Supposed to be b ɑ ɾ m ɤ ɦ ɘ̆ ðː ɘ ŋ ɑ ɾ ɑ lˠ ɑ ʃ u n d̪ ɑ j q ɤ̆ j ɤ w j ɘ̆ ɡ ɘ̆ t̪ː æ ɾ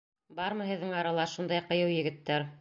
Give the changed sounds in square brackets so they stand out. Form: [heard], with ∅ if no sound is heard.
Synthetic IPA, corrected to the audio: b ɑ ɾ m ɤ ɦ ɘ̆ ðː ɘ ŋ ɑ ɾ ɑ lˠ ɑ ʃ u n d̪ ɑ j q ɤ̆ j ɤ w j ɘ̆ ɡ ɘ̆ t̪ː æ ɾ